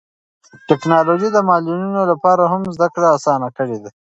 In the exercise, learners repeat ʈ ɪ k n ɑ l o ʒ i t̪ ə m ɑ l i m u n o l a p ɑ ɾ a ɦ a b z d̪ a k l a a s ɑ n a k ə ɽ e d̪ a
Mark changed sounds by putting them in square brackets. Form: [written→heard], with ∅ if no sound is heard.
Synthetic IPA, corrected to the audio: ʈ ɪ k n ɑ l o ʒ i [t̪→d̪] ə m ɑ l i [m→n] u n o l a p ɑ ɾ a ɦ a [b→m] z d̪ a k [l→ɽ] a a s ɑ n a k ə ɽ e d̪ a